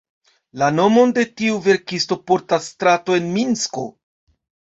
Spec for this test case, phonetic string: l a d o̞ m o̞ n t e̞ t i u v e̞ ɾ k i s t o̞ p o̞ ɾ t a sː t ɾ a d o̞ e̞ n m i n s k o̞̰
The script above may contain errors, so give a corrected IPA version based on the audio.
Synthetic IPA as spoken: l a n o̞ m o̞ n d e̞ t i u v e̞ ɾ k i s t o̞ p o̞ ɾ t a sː t ɾ a t o̞ e̞ n m i n s k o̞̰